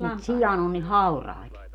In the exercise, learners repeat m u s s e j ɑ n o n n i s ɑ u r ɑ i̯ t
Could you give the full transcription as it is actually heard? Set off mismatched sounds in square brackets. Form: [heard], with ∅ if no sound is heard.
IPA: m u [t] s [i] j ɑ n o n n i [h] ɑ u r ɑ i̯ t